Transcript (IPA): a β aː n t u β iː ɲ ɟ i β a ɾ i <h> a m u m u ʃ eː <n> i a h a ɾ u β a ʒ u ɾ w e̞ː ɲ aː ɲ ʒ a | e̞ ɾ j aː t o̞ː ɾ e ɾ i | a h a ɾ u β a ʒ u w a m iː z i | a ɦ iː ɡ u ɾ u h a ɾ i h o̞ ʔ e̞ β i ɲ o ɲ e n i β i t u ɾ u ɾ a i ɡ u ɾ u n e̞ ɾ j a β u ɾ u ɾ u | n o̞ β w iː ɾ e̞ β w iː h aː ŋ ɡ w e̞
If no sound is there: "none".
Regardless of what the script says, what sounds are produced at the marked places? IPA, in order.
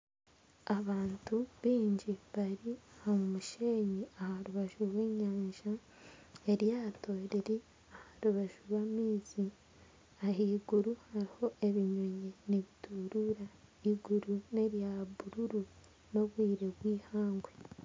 h, ɲ

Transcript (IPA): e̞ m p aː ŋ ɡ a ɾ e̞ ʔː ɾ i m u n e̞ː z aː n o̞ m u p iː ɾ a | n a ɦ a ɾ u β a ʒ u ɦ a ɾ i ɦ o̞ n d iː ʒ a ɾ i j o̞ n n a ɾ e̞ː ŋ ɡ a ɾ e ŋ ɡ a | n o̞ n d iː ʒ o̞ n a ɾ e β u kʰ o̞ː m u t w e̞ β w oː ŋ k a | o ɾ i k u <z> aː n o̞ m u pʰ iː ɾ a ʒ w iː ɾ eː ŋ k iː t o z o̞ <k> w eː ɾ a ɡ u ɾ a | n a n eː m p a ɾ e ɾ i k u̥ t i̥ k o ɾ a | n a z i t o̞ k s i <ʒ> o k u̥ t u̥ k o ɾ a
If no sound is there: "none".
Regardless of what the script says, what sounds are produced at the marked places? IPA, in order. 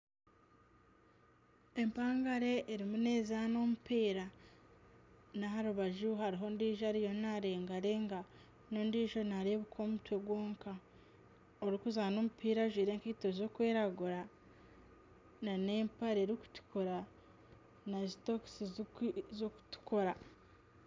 z, k, z

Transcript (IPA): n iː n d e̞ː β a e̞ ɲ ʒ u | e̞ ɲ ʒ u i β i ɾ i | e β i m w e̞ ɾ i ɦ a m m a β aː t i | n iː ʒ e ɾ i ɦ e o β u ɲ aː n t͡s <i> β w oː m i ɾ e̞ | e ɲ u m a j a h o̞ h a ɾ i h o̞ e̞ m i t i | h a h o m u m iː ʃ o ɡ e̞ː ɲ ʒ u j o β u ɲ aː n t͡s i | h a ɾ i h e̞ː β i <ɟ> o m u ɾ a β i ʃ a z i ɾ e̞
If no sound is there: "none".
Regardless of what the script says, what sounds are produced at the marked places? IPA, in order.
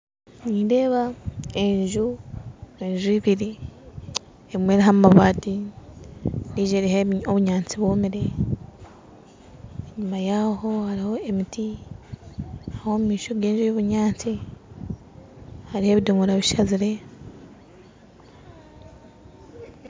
i, d

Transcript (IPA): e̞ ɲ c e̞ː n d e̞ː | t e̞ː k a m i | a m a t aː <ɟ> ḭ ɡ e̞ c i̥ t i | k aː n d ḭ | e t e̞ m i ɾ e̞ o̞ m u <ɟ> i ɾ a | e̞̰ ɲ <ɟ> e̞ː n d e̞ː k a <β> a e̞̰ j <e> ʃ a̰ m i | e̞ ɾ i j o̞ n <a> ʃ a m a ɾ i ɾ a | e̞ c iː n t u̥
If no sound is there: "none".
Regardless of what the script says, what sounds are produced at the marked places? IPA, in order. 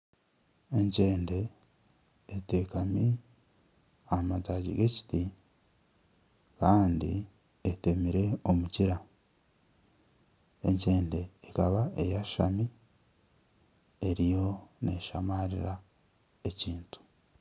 ɟ, c, c, β, a, e

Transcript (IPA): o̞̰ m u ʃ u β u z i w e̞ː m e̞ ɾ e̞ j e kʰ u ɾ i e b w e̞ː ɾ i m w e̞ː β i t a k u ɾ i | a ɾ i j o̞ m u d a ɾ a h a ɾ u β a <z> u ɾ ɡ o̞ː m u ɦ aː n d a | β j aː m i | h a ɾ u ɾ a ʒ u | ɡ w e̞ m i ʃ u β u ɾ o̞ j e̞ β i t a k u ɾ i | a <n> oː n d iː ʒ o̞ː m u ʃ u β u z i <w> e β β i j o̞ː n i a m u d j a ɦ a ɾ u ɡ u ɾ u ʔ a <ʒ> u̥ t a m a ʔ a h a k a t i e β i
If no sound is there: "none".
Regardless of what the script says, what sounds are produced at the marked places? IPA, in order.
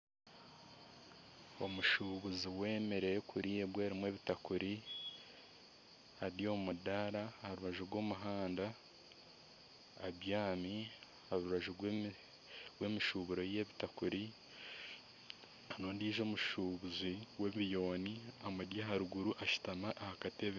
ʒ, n, w, ʃ

